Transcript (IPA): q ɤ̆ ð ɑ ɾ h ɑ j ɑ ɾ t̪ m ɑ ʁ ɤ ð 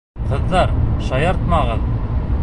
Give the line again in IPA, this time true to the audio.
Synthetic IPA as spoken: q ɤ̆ ðː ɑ ɾ ʃ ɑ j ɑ ɾ t̪ m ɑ ʁ ɤ ð